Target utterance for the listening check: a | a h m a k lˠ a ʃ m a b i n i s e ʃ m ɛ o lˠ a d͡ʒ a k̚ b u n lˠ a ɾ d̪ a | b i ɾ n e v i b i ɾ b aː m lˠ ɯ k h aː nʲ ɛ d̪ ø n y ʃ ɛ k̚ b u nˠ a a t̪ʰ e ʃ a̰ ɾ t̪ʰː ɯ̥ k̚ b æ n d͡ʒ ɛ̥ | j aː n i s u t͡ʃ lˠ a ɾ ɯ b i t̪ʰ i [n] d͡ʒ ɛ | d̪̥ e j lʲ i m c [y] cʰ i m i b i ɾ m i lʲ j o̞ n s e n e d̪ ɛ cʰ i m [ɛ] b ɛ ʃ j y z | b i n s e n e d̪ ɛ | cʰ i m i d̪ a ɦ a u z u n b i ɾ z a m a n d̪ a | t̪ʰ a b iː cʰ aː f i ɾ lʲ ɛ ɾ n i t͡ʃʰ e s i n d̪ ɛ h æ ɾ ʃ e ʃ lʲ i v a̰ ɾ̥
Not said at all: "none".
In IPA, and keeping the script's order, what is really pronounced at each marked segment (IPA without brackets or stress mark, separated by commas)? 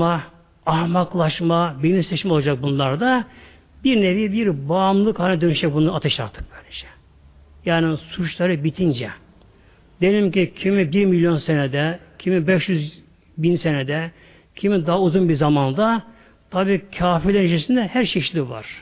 n, i, i